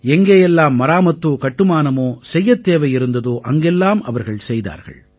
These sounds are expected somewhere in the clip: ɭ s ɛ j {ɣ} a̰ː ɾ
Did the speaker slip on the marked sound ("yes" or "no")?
yes